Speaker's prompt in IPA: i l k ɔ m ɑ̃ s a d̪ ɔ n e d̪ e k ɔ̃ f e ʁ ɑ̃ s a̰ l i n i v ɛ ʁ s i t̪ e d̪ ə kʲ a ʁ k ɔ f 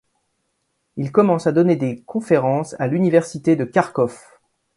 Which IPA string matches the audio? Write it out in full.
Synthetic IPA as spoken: i l k ɔ m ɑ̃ s a d̪ ɔ n e d̪ e k ɔ̃ f e ʁ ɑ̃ s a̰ l y n i v ɛ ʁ s i t̪ e d̪ ə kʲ a ʁ k ɔ f